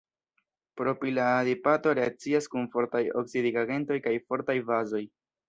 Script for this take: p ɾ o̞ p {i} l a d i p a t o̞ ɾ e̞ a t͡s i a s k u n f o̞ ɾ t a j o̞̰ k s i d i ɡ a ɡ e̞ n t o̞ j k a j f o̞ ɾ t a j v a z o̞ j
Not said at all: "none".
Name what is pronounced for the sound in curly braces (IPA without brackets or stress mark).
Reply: i